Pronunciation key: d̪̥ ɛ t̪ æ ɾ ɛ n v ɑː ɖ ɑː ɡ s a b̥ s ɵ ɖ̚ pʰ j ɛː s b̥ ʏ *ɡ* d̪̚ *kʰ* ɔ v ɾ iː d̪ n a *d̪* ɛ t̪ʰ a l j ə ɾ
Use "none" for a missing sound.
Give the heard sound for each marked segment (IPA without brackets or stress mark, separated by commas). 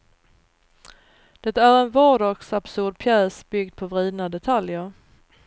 ɡ, pʰ, d̪